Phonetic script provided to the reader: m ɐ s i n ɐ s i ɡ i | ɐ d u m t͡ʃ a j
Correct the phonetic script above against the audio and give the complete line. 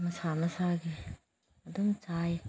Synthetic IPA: m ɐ s a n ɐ s a ɡ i | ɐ d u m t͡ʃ a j